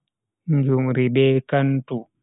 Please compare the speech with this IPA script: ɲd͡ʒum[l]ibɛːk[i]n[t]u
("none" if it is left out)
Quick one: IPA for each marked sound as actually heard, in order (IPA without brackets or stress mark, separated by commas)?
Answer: ɾ, a, t